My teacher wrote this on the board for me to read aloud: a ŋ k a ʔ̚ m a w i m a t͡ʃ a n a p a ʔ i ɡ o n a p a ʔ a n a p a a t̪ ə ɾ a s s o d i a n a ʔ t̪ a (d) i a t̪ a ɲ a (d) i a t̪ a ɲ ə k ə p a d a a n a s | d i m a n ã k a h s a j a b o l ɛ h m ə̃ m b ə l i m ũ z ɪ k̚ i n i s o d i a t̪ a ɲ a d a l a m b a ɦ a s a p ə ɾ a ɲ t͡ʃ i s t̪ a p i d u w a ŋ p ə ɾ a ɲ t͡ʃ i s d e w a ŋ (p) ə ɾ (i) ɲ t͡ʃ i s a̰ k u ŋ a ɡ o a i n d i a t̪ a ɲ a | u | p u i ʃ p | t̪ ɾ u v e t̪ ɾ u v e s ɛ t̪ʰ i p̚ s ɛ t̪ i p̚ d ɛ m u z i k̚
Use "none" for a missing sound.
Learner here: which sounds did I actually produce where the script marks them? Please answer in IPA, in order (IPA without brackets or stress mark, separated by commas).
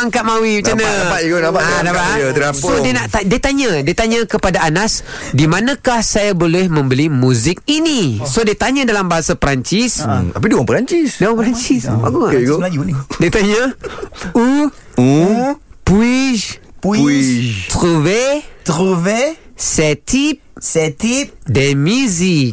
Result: d, d, p, a